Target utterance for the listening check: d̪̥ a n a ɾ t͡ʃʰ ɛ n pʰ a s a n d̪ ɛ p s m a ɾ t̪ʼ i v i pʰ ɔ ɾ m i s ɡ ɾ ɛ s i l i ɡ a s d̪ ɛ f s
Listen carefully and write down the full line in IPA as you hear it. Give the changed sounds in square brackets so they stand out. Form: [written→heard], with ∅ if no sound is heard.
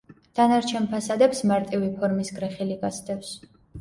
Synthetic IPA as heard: d̪̥ a n a ɾ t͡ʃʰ ɛ n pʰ a s a [n→∅] d̪ ɛ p s m a ɾ t̪ʼ i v i pʰ ɔ ɾ m i s ɡ ɾ ɛ [s→χ] i l i ɡ a s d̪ ɛ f s